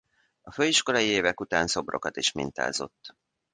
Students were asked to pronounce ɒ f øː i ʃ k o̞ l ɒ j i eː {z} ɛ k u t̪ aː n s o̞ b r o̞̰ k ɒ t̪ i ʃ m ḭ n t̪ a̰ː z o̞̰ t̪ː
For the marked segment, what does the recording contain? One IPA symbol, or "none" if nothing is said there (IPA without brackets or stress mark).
v